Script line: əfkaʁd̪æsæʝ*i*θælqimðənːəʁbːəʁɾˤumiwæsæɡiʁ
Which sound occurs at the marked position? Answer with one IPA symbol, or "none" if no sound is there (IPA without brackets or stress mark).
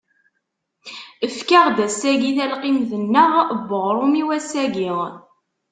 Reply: i